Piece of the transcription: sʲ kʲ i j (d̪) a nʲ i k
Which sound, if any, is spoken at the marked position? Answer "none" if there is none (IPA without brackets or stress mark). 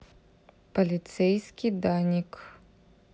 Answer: d̪